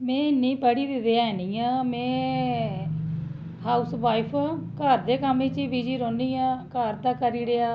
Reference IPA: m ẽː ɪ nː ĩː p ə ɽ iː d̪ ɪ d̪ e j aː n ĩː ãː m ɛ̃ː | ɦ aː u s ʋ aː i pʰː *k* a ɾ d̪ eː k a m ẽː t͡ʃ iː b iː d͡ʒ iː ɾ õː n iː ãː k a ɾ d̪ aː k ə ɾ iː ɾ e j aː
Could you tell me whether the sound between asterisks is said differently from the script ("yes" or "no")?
no